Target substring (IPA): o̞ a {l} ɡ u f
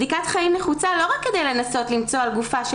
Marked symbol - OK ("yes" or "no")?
yes